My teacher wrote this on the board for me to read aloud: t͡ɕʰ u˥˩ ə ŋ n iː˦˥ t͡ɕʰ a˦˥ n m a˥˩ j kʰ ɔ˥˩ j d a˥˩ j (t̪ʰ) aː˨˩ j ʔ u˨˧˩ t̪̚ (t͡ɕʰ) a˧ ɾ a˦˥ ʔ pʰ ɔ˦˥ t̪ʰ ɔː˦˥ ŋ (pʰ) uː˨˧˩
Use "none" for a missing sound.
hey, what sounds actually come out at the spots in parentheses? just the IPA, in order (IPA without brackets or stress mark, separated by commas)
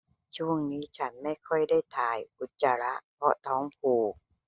t̪ʰ, t͡ɕ, pʰ